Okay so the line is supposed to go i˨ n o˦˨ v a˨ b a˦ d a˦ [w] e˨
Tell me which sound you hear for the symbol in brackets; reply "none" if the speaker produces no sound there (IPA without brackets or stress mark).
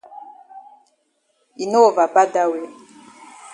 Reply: w